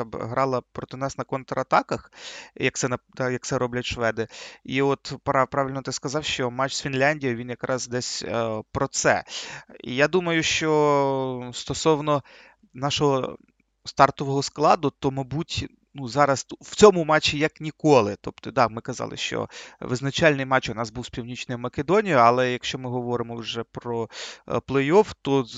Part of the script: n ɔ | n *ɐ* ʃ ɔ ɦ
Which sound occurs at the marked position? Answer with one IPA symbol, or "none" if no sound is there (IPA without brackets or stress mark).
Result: ɑ